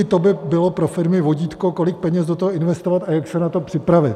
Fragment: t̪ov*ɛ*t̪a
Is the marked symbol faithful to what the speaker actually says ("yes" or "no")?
no